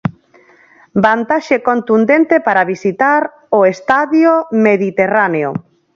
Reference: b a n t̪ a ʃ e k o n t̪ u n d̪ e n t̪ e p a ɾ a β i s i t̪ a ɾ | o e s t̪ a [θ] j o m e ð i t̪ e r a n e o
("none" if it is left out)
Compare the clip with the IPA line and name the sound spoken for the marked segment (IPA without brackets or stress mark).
ð